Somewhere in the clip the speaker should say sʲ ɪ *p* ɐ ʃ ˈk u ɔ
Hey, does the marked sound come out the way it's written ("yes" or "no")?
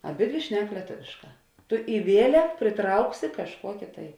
no